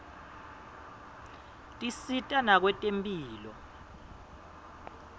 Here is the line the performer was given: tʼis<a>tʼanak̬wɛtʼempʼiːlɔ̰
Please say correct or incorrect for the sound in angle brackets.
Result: incorrect